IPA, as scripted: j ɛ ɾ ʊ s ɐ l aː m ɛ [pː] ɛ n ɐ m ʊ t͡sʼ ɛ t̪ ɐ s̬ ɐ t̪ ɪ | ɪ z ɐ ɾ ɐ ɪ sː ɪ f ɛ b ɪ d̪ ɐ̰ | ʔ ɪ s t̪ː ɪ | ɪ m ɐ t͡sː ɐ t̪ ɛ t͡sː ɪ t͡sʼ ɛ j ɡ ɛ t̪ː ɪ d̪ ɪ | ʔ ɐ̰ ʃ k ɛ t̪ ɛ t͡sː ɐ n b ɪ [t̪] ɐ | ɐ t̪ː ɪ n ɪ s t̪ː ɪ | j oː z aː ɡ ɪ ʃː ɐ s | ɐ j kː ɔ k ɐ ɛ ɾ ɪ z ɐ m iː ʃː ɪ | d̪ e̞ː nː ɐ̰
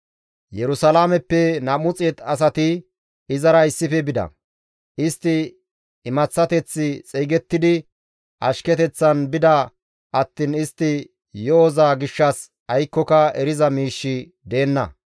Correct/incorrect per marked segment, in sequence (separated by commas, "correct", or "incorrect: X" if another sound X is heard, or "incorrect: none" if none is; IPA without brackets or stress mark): correct, incorrect: d̪